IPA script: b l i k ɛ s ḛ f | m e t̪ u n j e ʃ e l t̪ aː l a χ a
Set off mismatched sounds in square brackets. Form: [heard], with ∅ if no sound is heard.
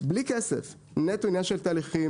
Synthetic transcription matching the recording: b l i k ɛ s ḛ f | [n] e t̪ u n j [a] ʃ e l t̪ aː l [i] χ [i]